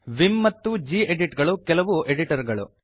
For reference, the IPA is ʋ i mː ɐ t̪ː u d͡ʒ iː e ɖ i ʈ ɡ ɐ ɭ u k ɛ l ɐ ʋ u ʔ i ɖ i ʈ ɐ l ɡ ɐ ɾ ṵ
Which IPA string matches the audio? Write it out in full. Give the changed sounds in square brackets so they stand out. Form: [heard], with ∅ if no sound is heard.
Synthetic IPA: ʋ i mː ɐ t̪ː u d͡ʒ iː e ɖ i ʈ ɡ ɐ ɭ u k ɛ l ɐ ʋ u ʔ [e] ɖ i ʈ ɐ [ɾ] ɡ ɐ [ɭ] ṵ